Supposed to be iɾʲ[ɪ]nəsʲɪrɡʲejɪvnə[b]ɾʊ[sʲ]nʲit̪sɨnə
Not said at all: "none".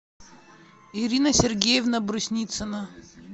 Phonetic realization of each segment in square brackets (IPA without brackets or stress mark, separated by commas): i, b, sʲ